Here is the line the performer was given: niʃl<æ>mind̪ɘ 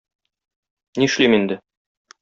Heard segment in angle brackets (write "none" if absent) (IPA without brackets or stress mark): i